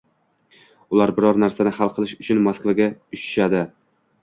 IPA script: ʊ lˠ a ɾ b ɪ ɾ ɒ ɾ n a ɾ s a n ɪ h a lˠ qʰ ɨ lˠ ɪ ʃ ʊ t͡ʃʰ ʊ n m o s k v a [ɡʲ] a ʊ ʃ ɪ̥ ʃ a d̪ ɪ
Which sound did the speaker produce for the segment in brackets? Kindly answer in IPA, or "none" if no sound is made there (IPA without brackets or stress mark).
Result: ɡʲ